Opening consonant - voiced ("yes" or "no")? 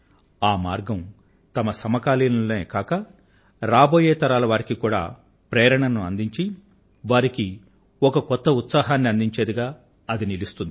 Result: yes